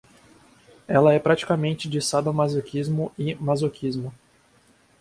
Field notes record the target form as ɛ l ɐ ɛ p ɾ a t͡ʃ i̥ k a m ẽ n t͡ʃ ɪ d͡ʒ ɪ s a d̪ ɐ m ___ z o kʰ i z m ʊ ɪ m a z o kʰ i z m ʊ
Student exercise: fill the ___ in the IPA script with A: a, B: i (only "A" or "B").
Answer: A